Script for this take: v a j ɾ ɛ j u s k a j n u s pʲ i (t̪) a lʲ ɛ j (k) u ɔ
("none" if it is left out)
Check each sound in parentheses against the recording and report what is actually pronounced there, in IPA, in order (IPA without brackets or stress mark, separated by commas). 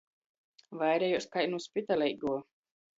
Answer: t̪, ɡ